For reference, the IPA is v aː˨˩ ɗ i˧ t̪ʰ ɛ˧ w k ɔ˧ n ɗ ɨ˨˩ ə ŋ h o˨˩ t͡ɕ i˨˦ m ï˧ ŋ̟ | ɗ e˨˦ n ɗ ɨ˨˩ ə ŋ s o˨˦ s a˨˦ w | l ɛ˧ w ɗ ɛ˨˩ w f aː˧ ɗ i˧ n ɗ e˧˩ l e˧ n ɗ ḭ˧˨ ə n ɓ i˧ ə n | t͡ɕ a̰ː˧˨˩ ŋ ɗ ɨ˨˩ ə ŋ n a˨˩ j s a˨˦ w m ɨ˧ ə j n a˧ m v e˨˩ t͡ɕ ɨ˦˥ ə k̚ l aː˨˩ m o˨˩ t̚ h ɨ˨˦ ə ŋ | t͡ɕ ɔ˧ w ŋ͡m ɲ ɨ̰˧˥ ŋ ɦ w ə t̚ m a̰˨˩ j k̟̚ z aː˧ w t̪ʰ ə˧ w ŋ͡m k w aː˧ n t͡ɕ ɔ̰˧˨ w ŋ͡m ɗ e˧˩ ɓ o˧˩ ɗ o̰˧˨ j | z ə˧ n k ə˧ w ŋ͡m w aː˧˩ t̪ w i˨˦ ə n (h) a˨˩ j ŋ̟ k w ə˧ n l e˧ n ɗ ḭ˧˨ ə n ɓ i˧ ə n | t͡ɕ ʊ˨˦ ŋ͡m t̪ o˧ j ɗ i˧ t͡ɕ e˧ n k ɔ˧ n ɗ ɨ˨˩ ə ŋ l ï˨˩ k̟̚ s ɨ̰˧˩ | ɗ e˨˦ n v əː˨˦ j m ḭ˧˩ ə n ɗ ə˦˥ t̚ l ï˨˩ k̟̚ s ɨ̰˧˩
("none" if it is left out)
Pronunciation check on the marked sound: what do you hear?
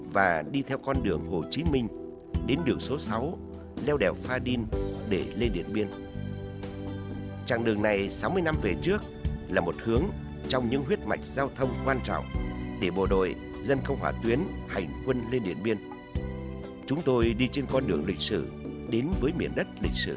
h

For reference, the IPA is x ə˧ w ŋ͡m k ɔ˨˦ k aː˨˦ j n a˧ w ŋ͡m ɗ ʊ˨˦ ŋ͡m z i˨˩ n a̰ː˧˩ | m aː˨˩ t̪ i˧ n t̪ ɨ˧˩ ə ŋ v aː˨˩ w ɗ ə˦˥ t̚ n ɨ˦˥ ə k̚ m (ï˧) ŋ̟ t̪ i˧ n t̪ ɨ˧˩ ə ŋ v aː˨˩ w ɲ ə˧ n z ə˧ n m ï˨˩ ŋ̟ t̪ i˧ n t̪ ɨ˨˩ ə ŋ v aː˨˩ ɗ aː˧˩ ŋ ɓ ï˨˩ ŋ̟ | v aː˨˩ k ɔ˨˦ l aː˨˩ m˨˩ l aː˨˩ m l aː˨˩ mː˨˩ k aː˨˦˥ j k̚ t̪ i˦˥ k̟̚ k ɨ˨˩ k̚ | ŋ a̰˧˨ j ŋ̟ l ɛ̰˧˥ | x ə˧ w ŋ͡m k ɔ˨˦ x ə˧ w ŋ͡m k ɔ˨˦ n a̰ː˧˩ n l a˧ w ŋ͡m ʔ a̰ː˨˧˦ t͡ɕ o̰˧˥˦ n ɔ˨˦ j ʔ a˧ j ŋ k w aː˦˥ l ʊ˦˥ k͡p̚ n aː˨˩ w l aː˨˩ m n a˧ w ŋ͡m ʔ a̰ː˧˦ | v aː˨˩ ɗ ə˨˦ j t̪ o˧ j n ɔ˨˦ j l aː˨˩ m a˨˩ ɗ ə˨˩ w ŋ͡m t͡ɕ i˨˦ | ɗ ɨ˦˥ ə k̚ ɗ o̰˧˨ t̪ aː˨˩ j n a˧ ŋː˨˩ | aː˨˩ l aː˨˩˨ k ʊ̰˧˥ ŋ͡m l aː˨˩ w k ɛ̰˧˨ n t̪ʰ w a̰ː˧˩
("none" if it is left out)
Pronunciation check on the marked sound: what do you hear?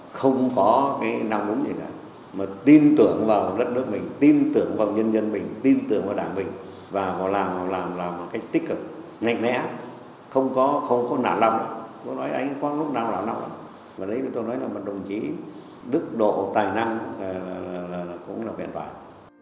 ï˨˩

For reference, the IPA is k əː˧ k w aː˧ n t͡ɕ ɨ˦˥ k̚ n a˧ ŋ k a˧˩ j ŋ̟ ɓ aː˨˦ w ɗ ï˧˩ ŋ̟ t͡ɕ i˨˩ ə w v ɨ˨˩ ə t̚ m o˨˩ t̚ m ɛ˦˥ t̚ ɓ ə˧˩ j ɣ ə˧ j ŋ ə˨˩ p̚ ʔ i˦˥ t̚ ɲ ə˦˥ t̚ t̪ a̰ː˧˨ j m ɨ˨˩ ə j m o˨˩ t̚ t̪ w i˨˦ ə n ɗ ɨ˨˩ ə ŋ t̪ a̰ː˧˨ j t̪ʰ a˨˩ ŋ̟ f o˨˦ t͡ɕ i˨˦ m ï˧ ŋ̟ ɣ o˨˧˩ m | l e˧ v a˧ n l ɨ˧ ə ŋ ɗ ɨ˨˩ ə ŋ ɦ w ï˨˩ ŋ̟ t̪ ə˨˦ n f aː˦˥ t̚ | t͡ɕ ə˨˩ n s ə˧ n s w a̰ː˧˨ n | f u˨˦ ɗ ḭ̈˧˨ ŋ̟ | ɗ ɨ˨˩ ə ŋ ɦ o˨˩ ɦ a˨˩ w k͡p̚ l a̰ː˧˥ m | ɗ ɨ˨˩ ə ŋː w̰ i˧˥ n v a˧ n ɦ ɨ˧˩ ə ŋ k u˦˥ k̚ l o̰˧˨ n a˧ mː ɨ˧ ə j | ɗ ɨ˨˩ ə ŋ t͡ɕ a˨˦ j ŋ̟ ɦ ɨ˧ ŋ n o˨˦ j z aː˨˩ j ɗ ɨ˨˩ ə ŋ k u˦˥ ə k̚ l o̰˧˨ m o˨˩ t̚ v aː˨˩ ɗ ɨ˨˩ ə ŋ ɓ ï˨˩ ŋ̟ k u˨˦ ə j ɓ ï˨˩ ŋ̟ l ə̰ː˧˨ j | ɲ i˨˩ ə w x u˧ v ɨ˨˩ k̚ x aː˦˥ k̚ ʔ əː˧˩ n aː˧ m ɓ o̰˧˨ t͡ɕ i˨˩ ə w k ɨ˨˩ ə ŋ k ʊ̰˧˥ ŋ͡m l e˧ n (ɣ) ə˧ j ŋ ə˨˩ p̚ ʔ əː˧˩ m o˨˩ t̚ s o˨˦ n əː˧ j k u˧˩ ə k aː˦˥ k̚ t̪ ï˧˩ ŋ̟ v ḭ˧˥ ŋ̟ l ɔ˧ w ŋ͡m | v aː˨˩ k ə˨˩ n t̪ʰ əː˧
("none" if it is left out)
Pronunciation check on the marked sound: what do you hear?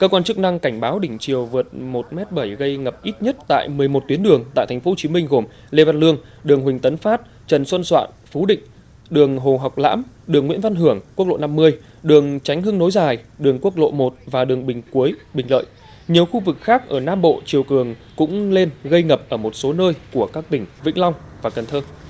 ɣ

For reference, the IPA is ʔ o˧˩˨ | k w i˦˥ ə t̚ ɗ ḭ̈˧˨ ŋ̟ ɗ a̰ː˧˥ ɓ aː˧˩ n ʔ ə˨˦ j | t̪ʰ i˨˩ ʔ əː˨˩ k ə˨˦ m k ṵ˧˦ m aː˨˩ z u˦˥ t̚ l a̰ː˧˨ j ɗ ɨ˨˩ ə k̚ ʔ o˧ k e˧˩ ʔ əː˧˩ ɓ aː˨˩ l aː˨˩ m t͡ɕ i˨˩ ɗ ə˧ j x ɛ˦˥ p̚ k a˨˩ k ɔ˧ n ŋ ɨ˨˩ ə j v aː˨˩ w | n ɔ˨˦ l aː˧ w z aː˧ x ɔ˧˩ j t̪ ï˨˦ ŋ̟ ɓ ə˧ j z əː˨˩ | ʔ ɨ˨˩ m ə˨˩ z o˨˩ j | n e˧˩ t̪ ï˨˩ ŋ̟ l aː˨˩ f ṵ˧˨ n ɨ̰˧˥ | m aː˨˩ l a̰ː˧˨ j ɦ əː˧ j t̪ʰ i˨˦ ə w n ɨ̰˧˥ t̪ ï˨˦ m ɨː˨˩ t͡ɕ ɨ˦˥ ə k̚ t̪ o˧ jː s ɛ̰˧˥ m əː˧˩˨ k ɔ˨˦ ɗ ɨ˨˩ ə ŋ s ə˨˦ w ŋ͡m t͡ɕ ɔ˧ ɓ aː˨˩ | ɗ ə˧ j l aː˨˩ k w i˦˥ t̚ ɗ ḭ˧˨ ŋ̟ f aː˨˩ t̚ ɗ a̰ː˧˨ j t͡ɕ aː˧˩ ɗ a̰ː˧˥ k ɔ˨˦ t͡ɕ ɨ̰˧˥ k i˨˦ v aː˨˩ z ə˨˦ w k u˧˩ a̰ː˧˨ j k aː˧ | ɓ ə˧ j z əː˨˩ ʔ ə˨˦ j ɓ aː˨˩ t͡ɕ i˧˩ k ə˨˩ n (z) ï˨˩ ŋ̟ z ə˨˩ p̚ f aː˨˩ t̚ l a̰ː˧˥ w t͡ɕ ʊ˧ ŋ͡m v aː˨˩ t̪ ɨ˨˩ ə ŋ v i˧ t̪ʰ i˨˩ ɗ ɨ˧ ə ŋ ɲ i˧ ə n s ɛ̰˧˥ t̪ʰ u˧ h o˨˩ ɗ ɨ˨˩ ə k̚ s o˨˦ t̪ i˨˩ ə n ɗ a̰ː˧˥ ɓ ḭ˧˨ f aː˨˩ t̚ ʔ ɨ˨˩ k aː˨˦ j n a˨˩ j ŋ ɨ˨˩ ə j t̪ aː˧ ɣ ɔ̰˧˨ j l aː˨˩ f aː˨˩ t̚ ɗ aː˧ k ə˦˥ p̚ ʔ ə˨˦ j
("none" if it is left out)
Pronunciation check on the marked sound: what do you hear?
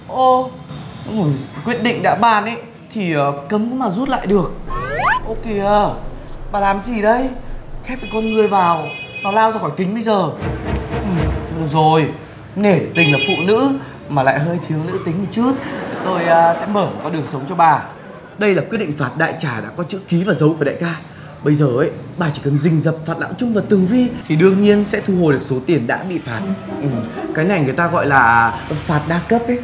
z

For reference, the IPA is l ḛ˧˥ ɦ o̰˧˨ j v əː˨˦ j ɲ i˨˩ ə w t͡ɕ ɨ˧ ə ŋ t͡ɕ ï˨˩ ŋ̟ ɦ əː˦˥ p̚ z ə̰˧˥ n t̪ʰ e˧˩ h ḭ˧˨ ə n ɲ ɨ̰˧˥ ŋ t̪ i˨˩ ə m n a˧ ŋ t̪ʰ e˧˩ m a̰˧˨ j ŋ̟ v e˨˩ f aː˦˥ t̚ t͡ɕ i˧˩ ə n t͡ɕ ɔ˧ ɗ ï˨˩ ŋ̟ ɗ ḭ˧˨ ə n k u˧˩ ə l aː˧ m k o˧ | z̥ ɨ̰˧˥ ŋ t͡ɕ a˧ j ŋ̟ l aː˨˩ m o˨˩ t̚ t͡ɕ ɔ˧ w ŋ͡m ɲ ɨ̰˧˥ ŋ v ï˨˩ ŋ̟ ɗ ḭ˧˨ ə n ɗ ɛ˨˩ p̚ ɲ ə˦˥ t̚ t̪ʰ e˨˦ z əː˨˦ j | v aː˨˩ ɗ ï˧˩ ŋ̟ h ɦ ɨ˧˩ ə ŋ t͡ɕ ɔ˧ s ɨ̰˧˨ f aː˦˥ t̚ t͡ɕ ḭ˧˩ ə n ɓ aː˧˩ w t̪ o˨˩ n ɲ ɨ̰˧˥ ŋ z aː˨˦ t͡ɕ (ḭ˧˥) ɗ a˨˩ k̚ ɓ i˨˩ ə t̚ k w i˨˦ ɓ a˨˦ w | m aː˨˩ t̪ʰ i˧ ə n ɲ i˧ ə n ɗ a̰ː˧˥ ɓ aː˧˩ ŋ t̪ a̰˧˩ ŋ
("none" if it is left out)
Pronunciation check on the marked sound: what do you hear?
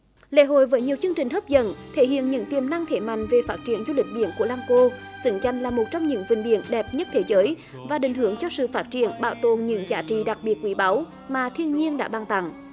ḭ˧˨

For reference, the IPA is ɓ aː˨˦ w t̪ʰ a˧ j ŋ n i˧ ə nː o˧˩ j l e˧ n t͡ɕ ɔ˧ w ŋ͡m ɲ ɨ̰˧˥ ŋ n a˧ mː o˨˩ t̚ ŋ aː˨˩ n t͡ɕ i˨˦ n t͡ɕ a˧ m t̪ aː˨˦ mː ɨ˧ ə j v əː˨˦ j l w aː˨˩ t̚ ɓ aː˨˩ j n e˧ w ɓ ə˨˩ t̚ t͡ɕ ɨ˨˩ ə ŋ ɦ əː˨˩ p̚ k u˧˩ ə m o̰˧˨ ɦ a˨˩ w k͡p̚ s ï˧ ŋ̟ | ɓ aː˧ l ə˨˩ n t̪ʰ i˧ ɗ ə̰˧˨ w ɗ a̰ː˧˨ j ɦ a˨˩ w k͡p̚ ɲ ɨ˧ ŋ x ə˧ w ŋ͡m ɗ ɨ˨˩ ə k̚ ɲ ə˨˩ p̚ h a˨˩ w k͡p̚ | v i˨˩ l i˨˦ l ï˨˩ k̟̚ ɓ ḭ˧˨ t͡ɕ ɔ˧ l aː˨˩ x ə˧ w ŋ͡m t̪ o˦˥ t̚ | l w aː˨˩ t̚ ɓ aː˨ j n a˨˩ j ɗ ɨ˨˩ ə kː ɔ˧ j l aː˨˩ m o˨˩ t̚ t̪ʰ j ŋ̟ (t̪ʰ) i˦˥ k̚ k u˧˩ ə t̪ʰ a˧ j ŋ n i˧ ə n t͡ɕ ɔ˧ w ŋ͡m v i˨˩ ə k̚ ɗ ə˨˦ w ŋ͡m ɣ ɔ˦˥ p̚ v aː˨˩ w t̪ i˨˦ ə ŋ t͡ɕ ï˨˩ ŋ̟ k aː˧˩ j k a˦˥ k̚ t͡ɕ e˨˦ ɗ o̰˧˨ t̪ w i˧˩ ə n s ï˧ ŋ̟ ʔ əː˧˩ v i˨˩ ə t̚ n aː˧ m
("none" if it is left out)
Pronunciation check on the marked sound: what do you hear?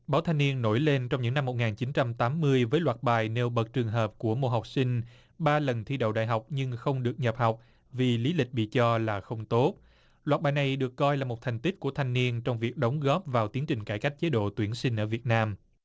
t̪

